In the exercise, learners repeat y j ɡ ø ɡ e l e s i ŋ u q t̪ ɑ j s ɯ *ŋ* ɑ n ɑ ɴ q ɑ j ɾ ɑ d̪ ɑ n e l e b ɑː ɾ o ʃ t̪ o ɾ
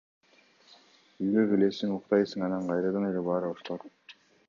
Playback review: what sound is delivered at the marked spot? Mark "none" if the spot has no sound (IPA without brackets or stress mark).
ŋ